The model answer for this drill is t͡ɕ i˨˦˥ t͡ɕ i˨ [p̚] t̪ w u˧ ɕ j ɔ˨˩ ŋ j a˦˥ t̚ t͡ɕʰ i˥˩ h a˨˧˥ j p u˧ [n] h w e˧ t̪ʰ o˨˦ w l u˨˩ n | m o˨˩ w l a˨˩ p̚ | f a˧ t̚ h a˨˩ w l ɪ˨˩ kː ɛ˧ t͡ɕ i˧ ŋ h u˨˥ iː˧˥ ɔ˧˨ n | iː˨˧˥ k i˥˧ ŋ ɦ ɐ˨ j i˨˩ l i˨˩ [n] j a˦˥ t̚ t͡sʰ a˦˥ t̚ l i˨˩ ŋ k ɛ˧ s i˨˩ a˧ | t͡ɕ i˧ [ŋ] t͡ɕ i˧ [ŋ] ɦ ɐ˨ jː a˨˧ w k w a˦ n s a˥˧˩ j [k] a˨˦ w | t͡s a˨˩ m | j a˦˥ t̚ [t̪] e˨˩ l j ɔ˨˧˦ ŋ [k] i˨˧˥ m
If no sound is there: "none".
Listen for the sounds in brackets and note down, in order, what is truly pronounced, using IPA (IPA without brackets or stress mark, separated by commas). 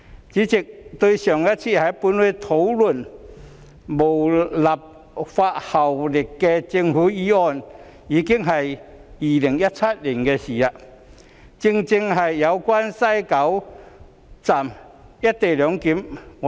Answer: k̚, n, ŋ, ŋ, ŋ, k, t̪, k